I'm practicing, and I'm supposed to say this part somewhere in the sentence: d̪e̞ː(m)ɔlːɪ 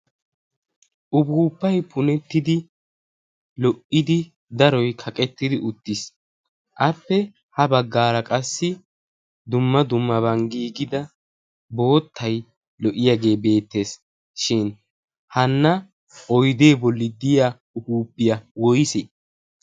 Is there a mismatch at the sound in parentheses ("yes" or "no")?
yes